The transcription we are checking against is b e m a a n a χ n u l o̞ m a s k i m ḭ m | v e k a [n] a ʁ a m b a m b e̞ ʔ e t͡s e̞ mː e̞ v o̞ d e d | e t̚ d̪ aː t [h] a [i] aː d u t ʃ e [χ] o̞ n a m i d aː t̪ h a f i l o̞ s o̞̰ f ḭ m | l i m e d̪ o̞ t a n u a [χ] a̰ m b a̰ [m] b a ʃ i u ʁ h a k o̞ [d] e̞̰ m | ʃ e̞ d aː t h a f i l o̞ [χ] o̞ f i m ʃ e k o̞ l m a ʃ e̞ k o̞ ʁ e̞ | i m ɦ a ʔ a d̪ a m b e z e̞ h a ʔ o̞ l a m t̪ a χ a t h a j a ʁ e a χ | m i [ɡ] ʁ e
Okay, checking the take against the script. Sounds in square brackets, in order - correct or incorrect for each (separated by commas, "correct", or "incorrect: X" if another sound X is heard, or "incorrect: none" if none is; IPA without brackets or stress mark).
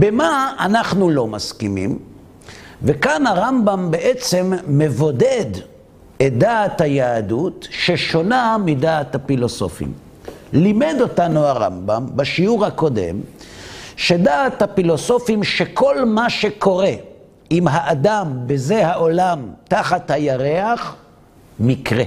correct, correct, incorrect: j, incorrect: ʃ, incorrect: ʁ, correct, correct, incorrect: s, incorrect: k